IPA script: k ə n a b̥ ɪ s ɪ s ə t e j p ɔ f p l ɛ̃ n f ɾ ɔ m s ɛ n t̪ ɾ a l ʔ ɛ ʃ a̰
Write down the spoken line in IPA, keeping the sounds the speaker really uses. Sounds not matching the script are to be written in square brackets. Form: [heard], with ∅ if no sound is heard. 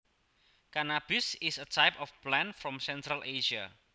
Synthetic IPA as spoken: k [a] n a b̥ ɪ s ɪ s ə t [a] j p ɔ f p l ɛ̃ n f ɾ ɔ m s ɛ n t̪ ɾ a l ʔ [e] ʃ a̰